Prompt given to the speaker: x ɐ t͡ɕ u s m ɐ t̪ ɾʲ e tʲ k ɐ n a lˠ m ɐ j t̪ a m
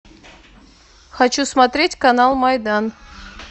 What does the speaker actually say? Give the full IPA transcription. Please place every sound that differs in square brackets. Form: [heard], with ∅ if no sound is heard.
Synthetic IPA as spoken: x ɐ t͡ɕ u s m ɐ t̪ ɾʲ e tʲ k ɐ n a lˠ m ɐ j [d̪] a [n]